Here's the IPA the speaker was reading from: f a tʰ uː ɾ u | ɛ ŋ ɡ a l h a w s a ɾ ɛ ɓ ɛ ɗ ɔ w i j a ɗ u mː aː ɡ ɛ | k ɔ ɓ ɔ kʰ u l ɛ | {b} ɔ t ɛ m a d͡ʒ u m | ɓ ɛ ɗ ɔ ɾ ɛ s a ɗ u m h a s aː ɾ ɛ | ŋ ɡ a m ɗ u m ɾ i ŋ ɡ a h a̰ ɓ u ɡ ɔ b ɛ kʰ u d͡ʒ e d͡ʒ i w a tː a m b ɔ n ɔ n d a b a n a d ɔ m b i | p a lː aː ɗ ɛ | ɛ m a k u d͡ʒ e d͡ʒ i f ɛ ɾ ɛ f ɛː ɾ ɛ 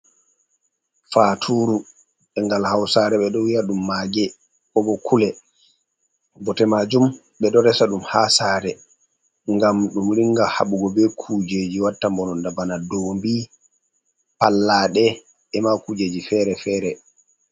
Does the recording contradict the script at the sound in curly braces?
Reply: no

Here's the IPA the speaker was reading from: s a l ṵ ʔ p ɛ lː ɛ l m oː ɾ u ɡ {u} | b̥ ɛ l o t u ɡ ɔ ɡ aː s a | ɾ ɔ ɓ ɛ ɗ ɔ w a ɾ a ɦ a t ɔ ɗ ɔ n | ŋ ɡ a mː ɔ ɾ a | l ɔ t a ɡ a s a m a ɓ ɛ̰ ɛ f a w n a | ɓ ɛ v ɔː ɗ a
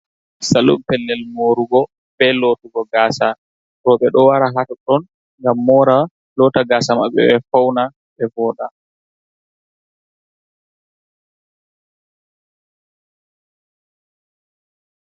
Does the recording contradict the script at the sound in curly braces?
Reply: yes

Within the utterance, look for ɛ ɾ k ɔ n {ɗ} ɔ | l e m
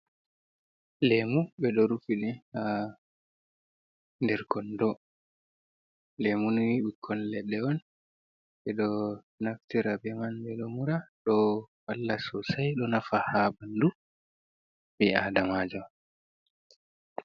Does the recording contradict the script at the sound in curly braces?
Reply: yes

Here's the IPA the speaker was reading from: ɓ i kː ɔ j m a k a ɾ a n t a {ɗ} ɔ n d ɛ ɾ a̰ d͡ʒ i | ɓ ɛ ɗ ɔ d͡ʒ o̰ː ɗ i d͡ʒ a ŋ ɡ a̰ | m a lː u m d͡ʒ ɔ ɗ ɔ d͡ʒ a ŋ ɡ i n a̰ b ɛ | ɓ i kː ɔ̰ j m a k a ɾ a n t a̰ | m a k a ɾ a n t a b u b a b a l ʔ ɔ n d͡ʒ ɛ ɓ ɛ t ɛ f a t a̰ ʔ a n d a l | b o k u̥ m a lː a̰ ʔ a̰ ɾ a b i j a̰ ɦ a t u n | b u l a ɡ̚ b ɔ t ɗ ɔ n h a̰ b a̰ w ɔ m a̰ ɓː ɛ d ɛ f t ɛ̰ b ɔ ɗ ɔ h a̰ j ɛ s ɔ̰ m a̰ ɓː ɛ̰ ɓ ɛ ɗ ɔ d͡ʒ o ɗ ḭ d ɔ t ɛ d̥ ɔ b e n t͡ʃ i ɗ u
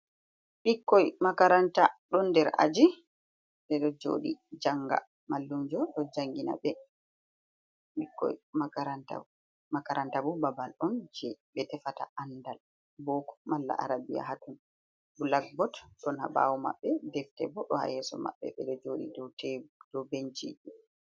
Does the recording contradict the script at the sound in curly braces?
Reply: no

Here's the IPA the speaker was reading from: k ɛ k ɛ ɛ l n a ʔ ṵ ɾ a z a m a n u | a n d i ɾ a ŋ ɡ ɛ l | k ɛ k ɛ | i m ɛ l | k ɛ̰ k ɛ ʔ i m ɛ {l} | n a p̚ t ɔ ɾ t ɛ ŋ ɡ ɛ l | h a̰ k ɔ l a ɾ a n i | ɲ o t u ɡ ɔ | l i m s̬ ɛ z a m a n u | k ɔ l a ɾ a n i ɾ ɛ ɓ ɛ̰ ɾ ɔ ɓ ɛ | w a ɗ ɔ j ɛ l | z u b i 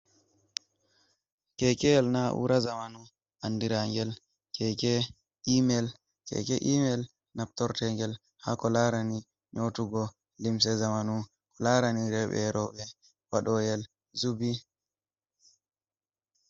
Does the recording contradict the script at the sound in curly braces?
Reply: no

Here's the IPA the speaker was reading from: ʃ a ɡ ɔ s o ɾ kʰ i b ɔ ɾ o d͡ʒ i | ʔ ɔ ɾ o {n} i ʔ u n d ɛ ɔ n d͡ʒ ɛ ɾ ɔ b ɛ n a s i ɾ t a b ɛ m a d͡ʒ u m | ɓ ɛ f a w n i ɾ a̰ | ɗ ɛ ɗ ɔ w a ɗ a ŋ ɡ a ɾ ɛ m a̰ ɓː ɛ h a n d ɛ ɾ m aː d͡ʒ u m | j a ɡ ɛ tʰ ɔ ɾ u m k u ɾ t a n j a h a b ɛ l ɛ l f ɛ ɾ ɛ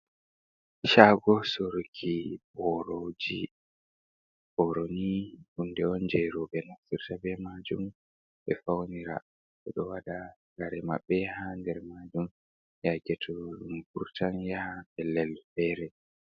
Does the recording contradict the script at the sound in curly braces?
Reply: no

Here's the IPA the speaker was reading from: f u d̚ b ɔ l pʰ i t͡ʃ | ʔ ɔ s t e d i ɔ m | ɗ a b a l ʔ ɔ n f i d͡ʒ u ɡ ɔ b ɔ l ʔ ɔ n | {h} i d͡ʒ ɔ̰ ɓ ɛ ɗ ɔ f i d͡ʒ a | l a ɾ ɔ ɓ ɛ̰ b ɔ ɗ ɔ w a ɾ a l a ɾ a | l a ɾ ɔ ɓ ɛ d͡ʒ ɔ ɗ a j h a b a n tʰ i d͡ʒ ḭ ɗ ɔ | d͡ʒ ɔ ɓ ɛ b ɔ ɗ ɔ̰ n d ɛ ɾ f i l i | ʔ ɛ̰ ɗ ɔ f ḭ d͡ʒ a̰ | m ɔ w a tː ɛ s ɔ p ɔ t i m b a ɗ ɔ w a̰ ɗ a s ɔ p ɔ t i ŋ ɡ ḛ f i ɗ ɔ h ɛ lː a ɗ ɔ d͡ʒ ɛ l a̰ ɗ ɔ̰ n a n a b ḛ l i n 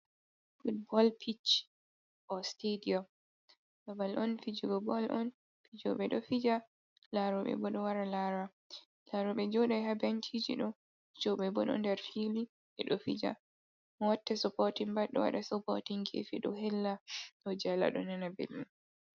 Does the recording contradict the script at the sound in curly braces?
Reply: yes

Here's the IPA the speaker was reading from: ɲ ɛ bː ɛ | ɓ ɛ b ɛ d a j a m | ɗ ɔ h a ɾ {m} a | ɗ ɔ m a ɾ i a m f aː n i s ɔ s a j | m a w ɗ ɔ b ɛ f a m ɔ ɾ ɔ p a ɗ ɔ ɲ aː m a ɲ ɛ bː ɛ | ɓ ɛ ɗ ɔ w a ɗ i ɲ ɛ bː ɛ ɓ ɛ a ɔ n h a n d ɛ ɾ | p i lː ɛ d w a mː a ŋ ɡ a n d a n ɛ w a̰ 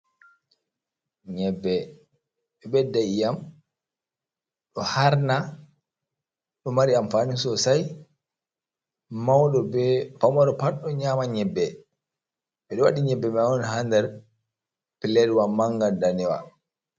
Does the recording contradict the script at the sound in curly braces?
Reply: yes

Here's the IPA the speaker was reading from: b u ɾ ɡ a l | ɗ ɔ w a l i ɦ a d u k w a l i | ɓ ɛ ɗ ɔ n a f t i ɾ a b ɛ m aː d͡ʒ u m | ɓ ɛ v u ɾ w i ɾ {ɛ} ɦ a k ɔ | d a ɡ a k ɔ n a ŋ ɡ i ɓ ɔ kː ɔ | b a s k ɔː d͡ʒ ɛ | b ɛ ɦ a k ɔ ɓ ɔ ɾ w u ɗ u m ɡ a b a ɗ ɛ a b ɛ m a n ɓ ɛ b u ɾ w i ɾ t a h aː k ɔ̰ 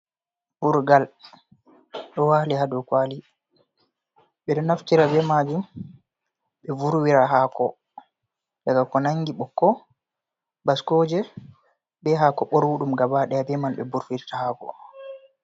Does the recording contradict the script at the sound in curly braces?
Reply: yes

